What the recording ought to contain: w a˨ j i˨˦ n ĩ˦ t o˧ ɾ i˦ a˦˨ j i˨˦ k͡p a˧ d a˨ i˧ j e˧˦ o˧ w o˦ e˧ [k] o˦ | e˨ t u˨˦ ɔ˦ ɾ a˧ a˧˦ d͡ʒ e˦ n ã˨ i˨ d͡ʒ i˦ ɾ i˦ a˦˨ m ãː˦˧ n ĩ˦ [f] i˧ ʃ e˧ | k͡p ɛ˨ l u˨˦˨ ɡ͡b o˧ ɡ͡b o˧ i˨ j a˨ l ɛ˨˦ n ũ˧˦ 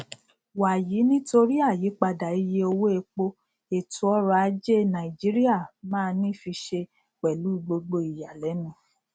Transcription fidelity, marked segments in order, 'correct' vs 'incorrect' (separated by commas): incorrect, correct